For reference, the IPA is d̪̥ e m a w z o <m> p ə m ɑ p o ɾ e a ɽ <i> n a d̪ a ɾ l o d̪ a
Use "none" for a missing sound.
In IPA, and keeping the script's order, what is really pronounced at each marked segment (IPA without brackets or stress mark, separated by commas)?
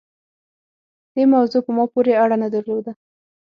none, a